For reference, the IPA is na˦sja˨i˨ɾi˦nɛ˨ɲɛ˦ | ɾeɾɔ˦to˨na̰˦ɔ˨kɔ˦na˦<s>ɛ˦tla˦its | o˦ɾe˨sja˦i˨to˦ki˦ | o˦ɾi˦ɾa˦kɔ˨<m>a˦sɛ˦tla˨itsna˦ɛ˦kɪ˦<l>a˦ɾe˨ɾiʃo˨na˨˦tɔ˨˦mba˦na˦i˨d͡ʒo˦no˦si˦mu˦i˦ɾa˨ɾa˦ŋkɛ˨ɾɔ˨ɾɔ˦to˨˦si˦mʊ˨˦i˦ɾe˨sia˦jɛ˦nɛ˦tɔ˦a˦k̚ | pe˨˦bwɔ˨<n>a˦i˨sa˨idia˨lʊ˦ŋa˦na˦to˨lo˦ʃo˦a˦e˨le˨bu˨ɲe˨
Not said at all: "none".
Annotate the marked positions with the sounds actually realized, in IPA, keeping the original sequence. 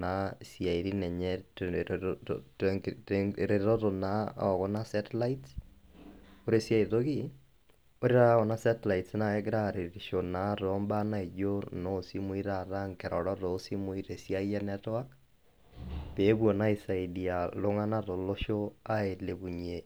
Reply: s, n, ɾ, n

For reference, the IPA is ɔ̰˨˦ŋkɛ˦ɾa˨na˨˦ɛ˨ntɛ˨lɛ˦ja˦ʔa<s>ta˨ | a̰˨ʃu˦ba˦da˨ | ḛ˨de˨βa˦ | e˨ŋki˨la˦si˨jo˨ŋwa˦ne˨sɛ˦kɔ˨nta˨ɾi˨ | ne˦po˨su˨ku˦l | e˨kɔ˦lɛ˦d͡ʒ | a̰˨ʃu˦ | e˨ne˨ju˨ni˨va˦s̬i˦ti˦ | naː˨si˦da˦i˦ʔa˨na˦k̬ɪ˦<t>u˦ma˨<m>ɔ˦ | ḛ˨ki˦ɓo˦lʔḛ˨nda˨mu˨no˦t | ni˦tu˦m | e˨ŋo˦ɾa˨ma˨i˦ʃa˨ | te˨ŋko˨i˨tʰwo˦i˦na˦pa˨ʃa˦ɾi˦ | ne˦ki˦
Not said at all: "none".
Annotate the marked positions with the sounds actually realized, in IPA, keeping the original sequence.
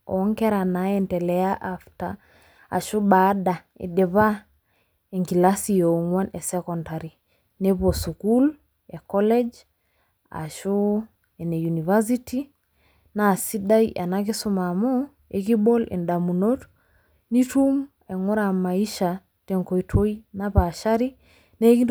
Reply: f, s, m

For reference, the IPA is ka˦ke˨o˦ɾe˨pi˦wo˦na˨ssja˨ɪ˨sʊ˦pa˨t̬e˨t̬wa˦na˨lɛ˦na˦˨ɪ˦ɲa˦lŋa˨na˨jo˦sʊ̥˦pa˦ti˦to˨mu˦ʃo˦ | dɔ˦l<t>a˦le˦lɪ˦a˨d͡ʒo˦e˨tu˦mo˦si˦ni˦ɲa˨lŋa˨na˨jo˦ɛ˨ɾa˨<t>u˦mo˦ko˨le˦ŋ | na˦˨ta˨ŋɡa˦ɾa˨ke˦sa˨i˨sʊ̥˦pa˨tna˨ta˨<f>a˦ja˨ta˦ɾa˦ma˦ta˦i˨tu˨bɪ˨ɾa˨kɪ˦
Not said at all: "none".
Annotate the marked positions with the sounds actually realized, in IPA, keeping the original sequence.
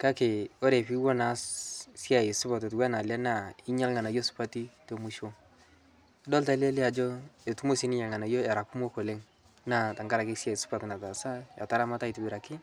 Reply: t, k, s

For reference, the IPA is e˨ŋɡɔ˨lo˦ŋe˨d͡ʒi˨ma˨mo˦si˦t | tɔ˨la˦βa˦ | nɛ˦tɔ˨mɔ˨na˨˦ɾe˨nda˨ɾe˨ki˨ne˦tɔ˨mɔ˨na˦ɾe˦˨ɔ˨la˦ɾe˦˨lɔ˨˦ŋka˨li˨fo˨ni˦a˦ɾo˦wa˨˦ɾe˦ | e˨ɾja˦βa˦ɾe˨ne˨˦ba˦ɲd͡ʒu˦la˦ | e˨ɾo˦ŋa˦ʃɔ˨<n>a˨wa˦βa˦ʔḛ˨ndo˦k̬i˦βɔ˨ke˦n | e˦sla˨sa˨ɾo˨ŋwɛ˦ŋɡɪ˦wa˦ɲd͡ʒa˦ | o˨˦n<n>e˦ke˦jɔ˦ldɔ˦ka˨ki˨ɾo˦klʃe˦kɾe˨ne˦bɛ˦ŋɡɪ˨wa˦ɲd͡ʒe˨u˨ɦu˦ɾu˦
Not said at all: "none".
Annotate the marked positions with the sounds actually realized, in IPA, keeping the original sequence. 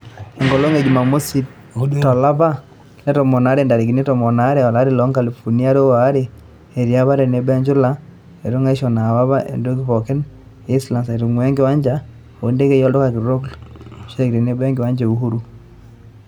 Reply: n, d

